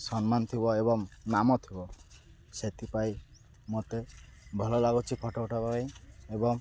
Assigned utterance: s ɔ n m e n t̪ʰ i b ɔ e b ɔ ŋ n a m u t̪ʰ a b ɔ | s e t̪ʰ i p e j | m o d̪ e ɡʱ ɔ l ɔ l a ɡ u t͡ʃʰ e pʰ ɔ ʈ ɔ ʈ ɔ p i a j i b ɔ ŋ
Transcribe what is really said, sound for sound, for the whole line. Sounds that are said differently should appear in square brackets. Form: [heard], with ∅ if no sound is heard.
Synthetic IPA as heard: s ɔ n m [a] n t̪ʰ i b ɔ e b ɔ ŋ n a m [ɔ] t̪ʰ [i] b ɔ | s e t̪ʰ i p [a] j | m o [t̪] e [bʱ] ɔ l ɔ l a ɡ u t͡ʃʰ [i] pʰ ɔ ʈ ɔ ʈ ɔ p [a] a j [e] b ɔ ŋ